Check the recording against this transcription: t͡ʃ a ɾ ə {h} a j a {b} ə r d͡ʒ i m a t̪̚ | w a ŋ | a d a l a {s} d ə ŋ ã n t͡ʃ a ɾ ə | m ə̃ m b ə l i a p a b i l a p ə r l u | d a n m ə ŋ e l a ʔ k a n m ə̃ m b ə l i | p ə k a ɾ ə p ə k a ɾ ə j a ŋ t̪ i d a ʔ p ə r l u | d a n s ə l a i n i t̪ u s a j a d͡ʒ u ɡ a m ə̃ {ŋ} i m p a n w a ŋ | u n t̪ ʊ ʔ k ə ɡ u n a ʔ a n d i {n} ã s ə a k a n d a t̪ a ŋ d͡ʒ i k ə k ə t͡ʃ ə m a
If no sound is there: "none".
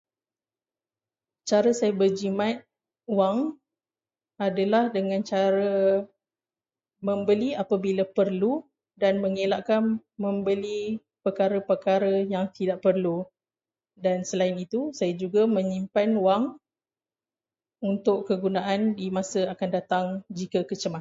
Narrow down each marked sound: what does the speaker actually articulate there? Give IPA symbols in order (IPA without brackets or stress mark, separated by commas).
s, b, h, ɲ, m